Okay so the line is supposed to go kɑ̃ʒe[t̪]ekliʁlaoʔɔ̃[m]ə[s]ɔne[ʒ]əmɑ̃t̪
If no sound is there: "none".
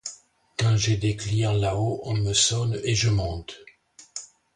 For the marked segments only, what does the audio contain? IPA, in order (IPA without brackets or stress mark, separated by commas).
d̪, m, s, ʒ